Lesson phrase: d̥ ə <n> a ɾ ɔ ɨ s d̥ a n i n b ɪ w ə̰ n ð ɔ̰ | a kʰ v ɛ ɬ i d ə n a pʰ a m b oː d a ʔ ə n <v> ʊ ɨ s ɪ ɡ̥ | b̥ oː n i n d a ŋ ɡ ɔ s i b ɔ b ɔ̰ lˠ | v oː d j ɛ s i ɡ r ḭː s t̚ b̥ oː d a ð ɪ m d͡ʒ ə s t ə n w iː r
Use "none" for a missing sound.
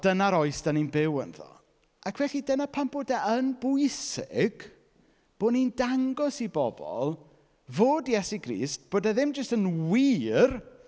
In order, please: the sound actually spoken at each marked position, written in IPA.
n, b

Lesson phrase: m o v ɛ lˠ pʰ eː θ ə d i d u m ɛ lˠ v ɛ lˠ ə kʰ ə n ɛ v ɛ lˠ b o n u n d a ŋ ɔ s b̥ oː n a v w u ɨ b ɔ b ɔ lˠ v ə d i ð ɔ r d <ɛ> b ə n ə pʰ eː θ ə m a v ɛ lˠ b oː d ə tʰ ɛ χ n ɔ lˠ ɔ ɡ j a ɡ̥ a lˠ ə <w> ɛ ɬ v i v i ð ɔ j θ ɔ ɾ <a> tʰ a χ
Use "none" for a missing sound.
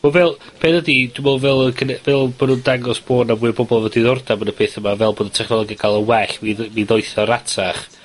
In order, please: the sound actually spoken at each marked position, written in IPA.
a, w, a

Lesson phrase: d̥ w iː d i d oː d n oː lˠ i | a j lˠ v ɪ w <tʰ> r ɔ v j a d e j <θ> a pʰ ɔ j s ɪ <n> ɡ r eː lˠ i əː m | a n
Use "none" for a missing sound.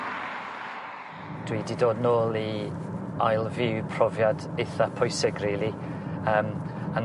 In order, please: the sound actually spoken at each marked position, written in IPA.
pʰ, θ, none

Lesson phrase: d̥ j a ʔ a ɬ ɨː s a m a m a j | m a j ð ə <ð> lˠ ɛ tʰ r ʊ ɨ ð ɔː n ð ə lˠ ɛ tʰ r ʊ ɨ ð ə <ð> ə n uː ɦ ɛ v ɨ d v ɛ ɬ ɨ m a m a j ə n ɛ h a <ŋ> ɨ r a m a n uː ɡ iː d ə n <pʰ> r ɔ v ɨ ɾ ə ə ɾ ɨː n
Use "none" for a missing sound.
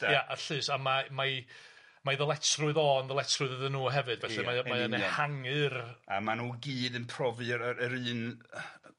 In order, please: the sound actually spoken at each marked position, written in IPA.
none, ð, ŋ, pʰ

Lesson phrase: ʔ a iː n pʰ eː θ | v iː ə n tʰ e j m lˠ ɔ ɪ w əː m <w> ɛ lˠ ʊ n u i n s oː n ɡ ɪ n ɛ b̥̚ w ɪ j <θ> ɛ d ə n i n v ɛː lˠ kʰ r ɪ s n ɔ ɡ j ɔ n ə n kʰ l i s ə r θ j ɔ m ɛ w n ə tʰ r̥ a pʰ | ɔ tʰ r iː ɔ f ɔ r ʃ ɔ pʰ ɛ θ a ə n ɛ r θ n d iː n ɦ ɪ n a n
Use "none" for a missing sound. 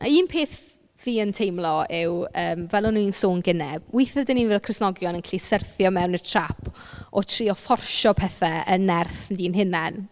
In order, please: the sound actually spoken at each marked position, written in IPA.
v, θ

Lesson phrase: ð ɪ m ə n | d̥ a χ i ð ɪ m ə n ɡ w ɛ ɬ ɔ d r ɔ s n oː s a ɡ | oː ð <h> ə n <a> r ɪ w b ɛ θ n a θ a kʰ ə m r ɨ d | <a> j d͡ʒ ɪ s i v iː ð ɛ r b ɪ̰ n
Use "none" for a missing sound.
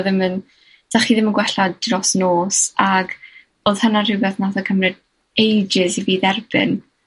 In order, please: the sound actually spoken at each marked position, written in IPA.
h, a, e

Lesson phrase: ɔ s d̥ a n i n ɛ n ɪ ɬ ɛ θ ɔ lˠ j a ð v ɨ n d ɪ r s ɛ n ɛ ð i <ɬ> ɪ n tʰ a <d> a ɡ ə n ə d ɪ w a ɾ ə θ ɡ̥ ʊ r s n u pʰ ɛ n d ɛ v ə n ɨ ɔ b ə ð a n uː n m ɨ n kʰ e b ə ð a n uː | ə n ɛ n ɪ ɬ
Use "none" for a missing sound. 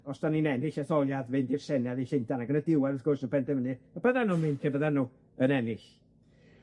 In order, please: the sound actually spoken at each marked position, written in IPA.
ɬ, n

